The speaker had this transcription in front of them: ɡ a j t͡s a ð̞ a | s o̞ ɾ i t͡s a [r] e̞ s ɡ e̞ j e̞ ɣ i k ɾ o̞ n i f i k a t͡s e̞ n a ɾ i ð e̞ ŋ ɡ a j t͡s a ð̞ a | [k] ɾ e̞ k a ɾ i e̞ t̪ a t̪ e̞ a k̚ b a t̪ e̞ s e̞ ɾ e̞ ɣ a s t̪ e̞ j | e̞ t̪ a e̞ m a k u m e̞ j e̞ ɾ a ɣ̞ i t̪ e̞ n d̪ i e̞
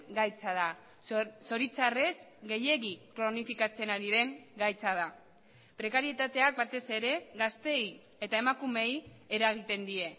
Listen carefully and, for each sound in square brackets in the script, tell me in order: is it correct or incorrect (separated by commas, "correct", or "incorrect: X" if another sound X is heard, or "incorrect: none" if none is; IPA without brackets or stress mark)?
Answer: correct, incorrect: p